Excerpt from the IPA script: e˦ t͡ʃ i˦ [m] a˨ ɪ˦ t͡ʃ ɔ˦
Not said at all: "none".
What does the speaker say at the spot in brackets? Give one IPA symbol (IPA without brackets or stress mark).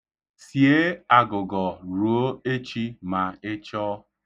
m